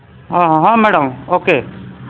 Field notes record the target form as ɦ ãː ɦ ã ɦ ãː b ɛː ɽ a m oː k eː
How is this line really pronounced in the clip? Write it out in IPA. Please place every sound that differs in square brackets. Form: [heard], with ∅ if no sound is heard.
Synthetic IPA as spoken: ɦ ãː ɦ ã ɦ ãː [m] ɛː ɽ [ə] m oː k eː